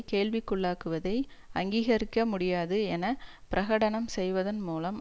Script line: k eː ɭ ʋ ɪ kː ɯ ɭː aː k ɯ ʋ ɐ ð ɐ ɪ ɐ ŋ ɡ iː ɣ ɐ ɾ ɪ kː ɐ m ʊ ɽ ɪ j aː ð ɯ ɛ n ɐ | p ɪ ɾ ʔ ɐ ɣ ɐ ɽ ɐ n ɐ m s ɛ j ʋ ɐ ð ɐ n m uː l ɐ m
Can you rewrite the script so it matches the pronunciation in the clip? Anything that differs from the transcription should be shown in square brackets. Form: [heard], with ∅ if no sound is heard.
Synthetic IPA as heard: k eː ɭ ʋ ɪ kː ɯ ɭː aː k ɯ ʋ ɐ ð ɐ ɪ ɐ ŋ ɡ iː ɣ ɐ ɾ ɪ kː ɐ m ʊ ɽ ɪ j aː ð ɯ ɛ n ɐ | p ɪ ɾ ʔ ɐ ɣ ɐ ɽ ɐ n ɐ m s ɛ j ʋ ɐ ð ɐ n m uː l ɐ m